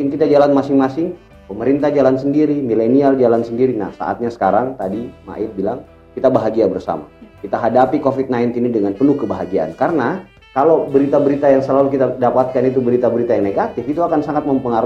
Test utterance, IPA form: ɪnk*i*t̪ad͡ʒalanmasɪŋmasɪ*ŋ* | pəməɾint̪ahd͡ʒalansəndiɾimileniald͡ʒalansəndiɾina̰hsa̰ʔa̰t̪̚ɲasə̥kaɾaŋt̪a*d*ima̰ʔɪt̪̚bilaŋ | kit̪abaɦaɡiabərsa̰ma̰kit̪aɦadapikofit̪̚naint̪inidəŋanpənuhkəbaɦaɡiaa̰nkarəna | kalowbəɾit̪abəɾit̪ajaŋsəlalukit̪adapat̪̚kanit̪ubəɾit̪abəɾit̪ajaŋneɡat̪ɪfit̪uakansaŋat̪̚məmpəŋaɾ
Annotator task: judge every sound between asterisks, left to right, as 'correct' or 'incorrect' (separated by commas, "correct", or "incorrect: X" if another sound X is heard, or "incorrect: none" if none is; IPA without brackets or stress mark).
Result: correct, correct, correct